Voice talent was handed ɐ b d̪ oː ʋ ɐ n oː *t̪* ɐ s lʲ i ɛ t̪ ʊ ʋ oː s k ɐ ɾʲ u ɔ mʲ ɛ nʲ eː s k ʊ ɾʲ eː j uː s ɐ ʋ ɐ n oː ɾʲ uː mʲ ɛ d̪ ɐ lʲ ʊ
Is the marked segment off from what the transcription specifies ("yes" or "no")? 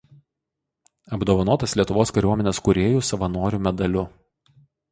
no